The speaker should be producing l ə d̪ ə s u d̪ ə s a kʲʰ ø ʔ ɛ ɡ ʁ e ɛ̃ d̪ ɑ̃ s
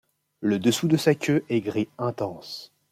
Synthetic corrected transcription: l ə d̪ ə s u d̪ ə s a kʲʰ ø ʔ ɛ ɡ ʁ i ɛ̃ t̪ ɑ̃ s